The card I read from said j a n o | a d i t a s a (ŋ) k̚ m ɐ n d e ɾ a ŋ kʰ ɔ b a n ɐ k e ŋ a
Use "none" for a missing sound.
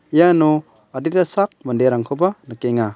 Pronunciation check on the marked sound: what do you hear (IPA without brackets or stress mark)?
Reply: none